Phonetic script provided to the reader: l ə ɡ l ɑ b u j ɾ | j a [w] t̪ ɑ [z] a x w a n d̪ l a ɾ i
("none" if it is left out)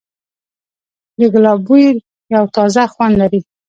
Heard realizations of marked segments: w, z

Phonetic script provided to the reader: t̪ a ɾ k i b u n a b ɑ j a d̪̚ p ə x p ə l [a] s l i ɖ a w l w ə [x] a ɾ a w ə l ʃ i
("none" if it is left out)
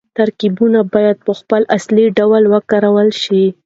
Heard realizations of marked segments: a, k

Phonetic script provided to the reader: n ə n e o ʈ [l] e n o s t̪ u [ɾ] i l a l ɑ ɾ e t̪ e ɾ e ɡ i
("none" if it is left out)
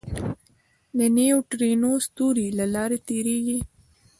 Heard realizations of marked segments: ɾ, ɾ

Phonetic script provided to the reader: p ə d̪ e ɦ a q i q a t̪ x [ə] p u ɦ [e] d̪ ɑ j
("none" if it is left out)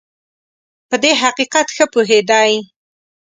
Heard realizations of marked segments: ə, e

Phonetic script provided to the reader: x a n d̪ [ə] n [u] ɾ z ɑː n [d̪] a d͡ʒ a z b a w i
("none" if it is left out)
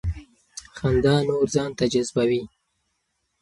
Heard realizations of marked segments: ɑ, o, t̪

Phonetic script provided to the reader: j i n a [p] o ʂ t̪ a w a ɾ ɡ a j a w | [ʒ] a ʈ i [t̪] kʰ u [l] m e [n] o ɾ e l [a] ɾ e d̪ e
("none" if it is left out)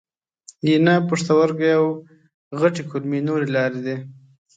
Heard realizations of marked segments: p, ɣ, none, l, n, ɑ

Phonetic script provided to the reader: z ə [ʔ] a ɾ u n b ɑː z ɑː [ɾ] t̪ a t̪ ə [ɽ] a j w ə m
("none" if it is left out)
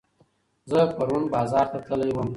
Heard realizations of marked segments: p, ɾ, l

